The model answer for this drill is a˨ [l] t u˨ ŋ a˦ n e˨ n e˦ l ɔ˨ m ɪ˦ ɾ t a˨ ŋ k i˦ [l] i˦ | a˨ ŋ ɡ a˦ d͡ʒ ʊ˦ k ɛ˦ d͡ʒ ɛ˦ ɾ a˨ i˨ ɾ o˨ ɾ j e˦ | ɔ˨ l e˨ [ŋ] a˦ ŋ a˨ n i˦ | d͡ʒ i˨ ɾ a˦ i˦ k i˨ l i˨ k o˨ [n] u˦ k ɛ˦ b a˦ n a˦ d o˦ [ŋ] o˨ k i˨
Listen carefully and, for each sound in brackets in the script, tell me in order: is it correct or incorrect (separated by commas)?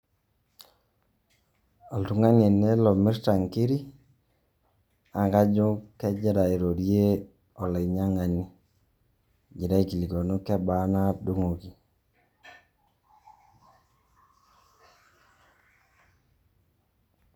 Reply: correct, incorrect, incorrect, correct, correct